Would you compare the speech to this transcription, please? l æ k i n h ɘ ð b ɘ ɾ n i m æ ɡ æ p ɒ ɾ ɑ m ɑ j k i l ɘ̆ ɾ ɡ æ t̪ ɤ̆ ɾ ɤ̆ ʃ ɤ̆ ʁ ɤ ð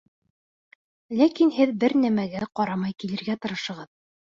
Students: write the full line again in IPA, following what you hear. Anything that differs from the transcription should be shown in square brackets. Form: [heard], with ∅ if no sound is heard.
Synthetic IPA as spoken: l æ k i n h ɘ ð b ɘ ɾ n [æ] m æ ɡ æ [q] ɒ ɾ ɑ m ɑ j k i l ɘ̆ ɾ ɡ æ t̪ ɤ̆ ɾ ɤ̆ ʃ ɤ̆ ʁ ɤ ð